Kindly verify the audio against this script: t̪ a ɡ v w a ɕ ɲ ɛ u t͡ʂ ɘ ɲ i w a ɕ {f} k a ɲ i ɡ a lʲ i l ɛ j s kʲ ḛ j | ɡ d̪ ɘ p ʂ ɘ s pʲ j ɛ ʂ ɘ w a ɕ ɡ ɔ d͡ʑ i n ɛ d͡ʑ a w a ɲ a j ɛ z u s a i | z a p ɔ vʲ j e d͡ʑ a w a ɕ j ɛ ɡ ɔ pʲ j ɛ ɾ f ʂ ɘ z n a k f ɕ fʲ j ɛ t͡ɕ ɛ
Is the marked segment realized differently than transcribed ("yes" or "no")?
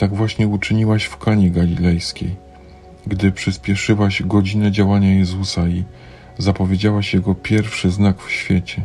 no